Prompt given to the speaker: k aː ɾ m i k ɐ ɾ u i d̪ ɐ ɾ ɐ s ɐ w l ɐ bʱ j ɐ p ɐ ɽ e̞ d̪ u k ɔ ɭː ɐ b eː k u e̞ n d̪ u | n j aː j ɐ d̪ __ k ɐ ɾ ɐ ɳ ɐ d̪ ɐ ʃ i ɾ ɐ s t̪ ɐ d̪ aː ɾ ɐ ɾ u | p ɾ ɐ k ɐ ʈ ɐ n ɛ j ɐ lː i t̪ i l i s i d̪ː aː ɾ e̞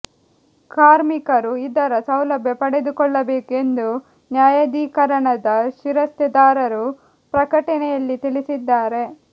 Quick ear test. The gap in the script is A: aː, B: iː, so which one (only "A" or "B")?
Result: B